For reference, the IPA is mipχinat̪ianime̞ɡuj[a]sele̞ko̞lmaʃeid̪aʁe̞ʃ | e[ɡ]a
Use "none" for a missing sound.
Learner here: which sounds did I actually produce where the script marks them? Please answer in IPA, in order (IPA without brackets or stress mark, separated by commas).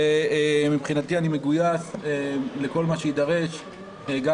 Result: a, ɡ